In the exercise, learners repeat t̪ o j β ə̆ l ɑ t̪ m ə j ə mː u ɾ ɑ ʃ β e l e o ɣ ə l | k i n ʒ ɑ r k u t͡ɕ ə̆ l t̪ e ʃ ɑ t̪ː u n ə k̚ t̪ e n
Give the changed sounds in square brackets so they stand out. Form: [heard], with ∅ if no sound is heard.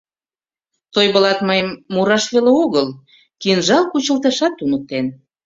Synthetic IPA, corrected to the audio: t̪ o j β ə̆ l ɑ t̪ m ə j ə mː u ɾ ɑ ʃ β e l e o ɣ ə l | k i n ʒ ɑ [l] k u t͡ɕ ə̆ l t̪ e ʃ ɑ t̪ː u n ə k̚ t̪ e n

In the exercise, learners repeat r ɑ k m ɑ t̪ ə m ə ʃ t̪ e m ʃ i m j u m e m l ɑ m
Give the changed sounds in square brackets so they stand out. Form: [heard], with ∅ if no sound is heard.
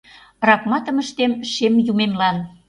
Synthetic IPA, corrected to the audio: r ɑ k m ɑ t̪ ə m ə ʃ t̪ e m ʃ [e] m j u m e m l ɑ [n]

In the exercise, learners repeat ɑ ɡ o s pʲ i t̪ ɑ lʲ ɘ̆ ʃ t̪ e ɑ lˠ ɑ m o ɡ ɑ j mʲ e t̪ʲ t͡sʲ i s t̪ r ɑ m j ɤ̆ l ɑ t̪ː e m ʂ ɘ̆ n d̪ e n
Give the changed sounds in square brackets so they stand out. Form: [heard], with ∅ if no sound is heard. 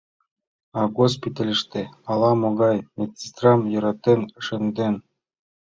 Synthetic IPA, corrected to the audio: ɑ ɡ o s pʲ i t̪ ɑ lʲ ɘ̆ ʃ t̪ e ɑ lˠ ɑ m o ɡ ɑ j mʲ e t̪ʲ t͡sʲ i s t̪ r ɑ m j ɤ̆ [ɾ] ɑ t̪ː e [n] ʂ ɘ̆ n d̪ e n

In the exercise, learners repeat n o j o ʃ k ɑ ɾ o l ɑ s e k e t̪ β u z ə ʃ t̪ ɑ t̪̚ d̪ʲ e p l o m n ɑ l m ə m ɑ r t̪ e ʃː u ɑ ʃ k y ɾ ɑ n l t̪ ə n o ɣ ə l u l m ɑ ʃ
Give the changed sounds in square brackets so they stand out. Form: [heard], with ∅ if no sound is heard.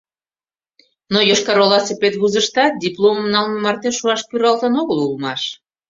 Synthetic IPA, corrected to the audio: n o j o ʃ k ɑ ɾ o l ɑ s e [p] e t̪ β u z ə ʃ t̪ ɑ t̪̚ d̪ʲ [i] p l o m n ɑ l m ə m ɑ r t̪ e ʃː u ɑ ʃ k y ɾ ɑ [∅] l t̪ ə n o ɣ ə l u l m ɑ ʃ

